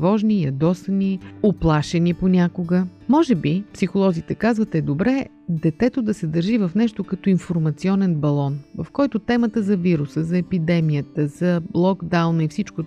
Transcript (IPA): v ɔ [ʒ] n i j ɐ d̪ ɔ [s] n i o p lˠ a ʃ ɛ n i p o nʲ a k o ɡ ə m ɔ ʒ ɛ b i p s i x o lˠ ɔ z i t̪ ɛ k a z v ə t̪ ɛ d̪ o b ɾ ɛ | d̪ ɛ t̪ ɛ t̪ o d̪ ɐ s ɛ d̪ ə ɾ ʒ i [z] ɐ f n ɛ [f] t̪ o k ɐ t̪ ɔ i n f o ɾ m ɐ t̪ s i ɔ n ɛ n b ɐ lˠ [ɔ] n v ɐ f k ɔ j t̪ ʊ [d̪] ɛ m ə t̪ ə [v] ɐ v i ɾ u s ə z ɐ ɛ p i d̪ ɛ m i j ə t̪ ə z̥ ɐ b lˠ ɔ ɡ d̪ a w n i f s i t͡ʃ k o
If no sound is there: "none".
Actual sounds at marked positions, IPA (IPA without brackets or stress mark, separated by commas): ʒ, s, v, ʃ, ɔ, t̪, z